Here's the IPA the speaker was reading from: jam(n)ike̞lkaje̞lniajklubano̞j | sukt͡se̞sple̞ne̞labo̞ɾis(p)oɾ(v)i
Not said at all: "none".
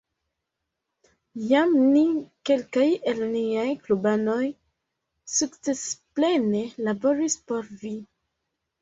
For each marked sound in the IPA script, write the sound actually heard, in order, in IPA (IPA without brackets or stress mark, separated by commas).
n, p, v